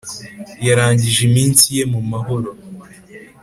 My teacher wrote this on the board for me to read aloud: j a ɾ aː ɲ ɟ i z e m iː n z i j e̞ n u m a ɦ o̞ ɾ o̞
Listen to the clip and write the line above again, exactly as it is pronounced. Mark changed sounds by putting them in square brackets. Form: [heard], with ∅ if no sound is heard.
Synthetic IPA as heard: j a ɾ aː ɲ ɟ i [ʒ] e m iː n [s] i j e̞ [m] u m a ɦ o̞ ɾ o̞